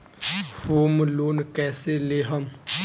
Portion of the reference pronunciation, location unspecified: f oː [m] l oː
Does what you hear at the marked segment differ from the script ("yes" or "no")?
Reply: no